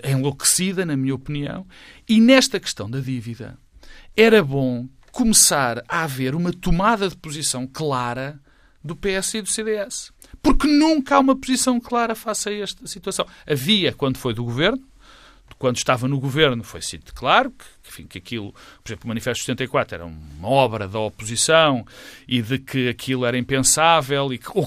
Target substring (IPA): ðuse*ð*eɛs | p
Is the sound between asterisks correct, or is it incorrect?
correct